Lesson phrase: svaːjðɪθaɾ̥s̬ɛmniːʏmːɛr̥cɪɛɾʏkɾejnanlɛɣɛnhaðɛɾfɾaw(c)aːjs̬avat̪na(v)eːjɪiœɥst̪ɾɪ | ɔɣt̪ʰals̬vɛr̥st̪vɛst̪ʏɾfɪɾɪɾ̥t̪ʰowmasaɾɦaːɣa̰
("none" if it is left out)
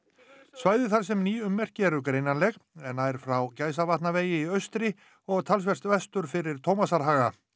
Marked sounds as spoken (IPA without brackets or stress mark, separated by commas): c, v